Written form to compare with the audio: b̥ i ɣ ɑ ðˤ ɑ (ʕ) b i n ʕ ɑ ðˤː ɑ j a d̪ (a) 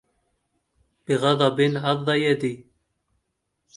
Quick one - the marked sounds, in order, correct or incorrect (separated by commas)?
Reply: incorrect, incorrect